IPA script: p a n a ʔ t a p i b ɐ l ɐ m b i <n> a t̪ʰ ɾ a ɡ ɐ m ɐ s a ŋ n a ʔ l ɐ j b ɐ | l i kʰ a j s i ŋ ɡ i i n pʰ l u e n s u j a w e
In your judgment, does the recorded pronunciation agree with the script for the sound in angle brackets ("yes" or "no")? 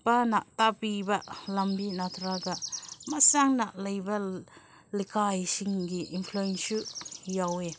yes